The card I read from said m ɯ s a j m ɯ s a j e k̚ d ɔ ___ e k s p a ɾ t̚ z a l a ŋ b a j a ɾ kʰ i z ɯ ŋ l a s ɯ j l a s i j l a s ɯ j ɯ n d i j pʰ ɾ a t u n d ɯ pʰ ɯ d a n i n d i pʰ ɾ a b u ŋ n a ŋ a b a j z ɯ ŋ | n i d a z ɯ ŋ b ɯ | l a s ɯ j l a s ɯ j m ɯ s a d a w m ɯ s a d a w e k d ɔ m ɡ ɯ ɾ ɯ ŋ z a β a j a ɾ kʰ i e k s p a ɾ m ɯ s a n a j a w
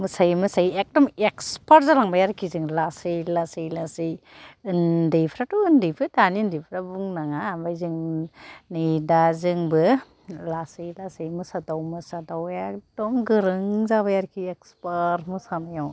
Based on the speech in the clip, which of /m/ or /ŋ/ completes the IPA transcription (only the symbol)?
m